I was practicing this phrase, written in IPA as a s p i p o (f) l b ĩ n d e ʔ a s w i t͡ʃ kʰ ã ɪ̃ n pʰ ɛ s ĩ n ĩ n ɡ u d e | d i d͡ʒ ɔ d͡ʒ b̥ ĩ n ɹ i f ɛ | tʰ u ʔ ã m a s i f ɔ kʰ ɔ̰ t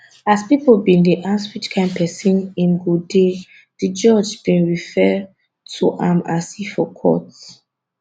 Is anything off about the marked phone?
yes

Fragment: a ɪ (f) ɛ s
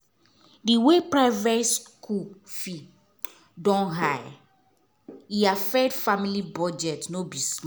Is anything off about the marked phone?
yes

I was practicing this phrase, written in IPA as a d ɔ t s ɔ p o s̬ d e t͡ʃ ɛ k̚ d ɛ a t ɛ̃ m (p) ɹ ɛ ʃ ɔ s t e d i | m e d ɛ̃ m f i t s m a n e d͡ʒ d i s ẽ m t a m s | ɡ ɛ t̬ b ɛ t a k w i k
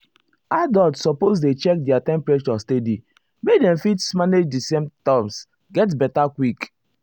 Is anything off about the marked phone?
no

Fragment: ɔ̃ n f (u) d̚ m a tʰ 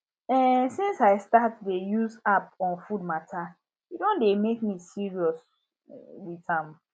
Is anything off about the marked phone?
no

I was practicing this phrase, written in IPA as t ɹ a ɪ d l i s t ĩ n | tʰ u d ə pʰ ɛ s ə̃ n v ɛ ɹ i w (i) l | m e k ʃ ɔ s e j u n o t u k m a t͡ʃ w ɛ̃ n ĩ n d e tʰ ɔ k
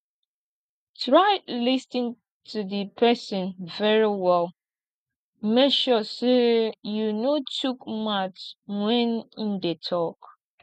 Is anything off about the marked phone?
yes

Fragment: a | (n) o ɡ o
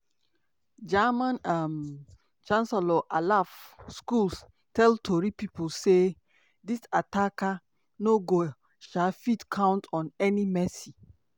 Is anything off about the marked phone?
no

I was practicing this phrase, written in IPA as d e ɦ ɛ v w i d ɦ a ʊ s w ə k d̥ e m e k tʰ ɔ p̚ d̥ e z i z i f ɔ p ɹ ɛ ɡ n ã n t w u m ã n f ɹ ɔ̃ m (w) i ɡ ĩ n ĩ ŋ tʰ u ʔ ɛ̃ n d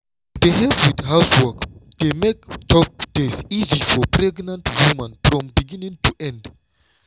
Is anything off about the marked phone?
yes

